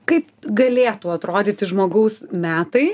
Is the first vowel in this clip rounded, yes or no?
no